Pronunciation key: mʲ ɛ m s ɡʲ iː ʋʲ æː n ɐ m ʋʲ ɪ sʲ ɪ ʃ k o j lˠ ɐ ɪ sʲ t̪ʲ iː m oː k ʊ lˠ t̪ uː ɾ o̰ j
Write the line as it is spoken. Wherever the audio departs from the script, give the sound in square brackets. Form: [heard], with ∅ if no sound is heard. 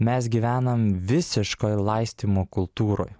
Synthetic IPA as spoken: mʲ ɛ [∅] s ɡʲ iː ʋʲ æː n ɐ m ʋʲ ɪ sʲ ɪ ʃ k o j lˠ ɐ ɪ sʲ t̪ʲ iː m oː k ʊ lˠ t̪ uː ɾ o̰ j